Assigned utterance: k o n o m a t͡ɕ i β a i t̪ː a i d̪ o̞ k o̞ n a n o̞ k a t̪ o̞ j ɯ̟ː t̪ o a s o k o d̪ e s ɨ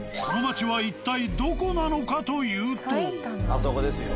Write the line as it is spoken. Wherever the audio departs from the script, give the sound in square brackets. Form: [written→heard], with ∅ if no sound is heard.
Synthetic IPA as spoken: k o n o m a t͡ɕ i β a i t̪ː a i d̪ o̞ k o̞ n a n o̞ k a t̪ o̞ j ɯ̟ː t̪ o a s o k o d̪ e s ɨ